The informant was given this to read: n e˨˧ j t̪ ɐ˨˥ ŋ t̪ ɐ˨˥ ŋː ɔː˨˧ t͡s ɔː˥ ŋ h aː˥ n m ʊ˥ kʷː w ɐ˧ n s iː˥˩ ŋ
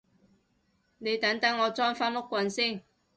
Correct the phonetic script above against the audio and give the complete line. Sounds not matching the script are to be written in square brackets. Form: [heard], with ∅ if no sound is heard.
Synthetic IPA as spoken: n e˨˧ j t̪ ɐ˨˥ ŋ t̪ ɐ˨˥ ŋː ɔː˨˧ t͡s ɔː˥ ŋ [f] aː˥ n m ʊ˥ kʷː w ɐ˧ n s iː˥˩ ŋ